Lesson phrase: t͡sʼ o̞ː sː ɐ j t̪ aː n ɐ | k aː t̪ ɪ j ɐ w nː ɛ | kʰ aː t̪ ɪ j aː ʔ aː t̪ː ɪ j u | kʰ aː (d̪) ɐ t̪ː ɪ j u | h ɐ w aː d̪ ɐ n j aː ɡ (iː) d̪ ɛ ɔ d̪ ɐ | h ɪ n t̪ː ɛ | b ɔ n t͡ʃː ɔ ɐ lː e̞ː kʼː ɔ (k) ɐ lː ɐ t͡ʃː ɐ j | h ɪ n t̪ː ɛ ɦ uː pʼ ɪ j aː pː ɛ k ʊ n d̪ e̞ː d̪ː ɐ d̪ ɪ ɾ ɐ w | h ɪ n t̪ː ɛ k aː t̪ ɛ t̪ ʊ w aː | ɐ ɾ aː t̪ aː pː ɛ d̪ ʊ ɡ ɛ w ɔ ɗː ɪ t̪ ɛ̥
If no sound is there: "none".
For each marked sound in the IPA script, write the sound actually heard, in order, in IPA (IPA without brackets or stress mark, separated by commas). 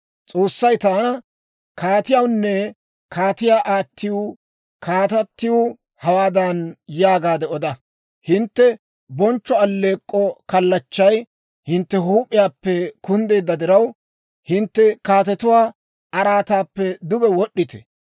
t̪, aː, k